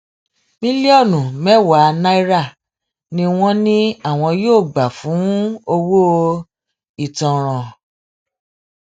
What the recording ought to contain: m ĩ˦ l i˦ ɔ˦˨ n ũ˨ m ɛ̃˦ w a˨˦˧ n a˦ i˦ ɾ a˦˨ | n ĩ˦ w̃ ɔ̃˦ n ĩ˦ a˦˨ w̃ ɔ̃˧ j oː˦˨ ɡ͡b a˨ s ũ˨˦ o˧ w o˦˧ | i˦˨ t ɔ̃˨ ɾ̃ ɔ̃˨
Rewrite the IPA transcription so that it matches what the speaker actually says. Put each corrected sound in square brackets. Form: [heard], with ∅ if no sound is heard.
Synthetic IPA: m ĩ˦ l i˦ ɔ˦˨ n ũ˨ m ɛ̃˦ w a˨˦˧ n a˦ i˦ ɾ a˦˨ | n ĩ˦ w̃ ɔ̃˦ n ĩ˦ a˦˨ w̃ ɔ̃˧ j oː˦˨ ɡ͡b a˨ [f] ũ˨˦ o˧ w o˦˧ | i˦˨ t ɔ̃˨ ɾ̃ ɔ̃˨